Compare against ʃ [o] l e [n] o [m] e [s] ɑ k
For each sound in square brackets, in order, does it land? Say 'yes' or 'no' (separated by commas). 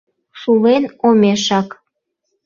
no, yes, yes, no